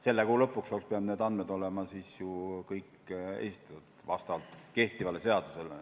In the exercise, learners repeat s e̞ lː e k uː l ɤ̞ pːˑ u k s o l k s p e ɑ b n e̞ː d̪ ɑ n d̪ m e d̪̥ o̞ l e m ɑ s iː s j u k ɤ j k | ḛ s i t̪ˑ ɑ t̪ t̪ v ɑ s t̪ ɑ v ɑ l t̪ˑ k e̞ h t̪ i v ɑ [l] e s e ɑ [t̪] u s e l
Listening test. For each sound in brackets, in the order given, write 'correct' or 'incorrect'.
correct, incorrect

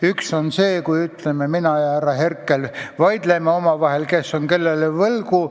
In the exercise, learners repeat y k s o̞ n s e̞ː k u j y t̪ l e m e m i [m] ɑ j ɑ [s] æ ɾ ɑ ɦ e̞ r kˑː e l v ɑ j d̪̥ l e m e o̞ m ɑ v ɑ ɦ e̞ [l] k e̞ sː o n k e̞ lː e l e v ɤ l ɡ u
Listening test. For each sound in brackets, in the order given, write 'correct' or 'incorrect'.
incorrect, incorrect, correct

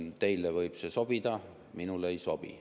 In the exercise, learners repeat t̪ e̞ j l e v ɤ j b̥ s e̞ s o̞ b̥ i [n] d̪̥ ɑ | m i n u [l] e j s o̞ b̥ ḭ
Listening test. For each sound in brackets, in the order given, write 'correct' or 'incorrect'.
incorrect, correct

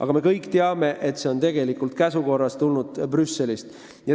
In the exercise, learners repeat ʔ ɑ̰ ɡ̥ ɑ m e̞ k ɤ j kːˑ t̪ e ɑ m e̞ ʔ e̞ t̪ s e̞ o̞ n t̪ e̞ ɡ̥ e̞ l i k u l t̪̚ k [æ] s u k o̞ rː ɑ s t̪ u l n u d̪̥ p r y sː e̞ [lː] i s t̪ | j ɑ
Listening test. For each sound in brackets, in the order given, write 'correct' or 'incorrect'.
correct, incorrect

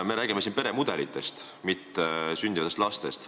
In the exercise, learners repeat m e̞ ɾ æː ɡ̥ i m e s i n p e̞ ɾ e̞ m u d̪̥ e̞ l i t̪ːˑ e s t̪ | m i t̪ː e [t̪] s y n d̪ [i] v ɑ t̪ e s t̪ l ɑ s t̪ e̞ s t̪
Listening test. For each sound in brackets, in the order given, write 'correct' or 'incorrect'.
incorrect, correct

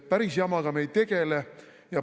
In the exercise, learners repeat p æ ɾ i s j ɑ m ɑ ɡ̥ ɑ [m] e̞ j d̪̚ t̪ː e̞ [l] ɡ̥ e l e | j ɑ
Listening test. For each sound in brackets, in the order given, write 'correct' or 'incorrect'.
correct, incorrect

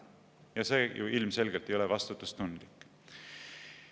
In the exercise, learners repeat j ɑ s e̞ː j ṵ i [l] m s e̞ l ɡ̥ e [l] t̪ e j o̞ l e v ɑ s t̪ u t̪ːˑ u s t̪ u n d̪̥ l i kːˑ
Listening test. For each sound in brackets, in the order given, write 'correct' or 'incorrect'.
correct, correct

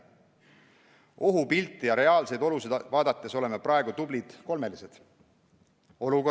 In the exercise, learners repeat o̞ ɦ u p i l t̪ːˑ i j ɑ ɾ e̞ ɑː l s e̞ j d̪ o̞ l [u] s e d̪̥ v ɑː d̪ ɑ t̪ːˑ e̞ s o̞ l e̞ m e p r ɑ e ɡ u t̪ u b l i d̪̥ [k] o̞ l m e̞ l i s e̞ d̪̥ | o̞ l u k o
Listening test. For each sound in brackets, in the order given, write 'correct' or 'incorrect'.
correct, correct

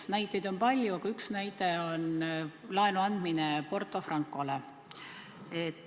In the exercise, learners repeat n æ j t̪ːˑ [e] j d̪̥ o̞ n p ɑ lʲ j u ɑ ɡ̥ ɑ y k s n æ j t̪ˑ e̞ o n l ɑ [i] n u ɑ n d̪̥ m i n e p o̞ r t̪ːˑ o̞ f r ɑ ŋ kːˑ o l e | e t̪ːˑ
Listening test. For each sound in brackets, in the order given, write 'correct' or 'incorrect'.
correct, incorrect

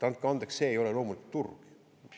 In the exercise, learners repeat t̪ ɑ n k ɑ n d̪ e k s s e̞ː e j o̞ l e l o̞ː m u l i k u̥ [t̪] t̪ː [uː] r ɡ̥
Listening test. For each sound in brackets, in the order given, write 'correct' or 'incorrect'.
correct, incorrect

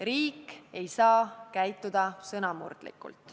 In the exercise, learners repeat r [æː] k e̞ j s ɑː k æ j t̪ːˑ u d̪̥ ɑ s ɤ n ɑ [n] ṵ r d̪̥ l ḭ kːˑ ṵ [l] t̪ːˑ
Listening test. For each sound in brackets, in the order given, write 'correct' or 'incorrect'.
incorrect, incorrect, correct

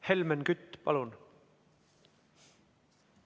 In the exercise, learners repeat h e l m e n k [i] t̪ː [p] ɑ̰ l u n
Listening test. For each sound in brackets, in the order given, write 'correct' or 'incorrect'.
incorrect, correct

